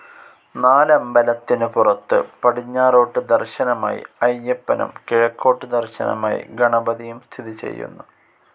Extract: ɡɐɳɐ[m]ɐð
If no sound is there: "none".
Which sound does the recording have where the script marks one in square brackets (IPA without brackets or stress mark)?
b